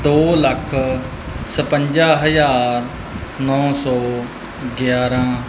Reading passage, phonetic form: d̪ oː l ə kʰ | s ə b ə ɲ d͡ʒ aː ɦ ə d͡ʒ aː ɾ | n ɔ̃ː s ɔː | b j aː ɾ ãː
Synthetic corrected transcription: d̪ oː l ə kʰ | s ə p ə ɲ d͡ʒ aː ɦ ə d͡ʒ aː ɾ | n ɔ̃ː s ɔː | ɡ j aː ɾ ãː